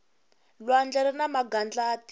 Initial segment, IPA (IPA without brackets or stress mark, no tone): l